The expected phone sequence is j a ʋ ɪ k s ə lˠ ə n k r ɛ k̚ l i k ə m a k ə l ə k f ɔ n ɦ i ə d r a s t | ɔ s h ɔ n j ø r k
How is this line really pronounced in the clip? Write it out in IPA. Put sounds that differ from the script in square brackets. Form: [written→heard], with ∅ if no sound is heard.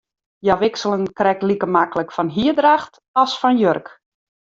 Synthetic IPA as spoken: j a ʋ ɪ k s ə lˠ ə n k r ɛ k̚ l i k ə m a k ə l ə k f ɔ n ɦ i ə d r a [s→x] t | ɔ s [h→f] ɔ n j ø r k